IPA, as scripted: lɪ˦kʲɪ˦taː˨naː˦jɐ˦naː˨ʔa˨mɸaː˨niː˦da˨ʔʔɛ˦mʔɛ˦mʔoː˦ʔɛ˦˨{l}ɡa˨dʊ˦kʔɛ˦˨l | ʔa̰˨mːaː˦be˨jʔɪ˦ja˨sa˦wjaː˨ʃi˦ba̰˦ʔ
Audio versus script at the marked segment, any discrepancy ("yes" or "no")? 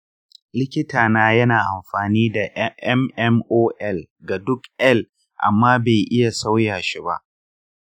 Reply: no